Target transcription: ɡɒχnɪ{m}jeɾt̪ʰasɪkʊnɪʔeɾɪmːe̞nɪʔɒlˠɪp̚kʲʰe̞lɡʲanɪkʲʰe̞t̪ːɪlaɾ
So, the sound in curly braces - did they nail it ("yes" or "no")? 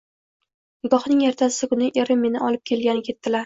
no